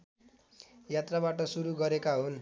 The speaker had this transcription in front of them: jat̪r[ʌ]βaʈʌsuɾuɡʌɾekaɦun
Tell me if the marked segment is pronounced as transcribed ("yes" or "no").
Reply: no